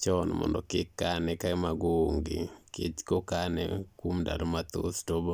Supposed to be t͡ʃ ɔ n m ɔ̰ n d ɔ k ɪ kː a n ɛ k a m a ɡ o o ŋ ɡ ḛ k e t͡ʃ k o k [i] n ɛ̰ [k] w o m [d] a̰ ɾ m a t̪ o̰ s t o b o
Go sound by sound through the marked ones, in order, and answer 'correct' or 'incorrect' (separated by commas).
incorrect, correct, correct